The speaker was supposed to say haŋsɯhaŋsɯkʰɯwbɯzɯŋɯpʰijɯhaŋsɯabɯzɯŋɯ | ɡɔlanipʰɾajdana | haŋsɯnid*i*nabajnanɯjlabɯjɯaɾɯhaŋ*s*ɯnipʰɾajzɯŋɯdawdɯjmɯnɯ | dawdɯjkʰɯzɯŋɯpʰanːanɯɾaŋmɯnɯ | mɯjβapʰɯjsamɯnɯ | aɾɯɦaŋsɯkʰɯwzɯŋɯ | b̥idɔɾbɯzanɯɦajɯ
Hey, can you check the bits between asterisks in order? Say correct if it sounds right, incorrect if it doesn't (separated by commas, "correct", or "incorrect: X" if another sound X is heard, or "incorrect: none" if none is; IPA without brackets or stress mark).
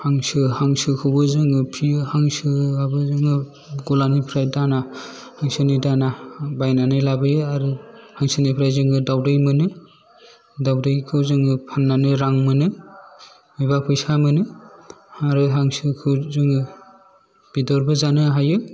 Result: incorrect: a, correct